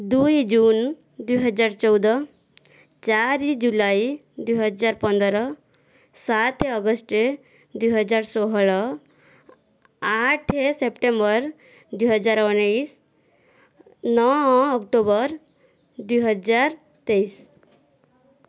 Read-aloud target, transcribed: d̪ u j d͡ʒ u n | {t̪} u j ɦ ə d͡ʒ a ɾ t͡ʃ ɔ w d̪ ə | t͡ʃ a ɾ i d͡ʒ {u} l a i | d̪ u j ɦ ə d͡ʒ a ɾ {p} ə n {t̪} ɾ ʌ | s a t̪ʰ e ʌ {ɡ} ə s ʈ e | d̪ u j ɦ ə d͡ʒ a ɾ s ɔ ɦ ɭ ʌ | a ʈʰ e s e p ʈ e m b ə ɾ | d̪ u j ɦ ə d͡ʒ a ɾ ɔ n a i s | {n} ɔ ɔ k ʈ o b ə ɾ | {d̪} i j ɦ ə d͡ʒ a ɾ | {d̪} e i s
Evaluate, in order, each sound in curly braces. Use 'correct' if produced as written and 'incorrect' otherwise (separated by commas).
incorrect, correct, correct, incorrect, correct, correct, correct, incorrect